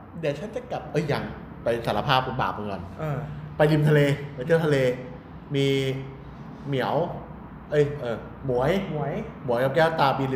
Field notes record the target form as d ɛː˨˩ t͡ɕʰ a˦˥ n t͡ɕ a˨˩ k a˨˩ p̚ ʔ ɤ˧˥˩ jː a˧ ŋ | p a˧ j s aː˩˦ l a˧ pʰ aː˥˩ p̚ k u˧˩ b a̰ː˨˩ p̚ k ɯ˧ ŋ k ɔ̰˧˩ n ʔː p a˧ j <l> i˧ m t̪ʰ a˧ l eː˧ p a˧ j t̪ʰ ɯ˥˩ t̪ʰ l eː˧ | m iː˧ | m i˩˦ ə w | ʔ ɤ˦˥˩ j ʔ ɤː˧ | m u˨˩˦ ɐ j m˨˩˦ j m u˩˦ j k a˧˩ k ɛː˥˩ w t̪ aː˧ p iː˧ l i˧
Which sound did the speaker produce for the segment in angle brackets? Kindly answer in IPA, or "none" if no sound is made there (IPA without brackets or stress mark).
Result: l